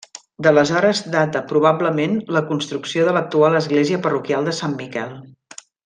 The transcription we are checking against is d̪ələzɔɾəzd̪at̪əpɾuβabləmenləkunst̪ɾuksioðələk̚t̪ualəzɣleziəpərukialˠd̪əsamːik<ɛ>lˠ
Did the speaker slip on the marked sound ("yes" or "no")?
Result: no